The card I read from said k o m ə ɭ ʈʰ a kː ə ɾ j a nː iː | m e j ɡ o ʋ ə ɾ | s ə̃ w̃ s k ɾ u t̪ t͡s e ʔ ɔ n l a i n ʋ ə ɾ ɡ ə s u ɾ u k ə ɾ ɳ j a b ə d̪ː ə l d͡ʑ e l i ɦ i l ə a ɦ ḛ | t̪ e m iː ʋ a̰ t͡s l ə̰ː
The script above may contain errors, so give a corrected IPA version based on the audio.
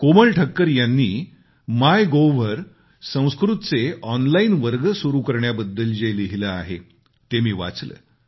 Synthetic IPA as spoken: k o m ə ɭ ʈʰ ə kː ə ɾ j a nː iː | m a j ɡ o ʋ ə ɾ | s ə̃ w̃ s k ɾ u t̪ t͡s e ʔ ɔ n l a i n ʋ ə ɾ ɡ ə s u ɾ u k ə ɾ ɳ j a b ə d̪ː ə l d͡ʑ e l i ɦ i l ə a ɦ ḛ | t̪ e m iː ʋ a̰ t͡s l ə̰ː